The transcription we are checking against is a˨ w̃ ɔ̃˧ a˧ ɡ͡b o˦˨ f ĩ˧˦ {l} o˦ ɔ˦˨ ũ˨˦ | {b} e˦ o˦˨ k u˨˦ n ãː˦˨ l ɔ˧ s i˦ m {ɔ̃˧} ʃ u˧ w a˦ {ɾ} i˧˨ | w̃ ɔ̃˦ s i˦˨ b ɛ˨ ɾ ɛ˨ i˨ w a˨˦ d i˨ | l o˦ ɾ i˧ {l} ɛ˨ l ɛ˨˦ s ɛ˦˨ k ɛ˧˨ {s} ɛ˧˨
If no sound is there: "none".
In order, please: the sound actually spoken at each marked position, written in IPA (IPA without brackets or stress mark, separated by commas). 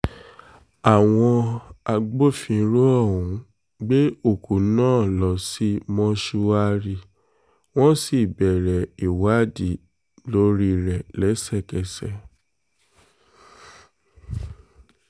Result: ɾ, ɡ͡b, ɔ̃˧, ɾ, ɾ, s